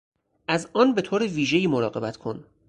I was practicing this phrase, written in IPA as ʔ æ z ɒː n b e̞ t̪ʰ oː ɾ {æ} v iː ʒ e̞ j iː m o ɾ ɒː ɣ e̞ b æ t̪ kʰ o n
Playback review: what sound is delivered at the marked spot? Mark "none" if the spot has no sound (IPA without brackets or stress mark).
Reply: e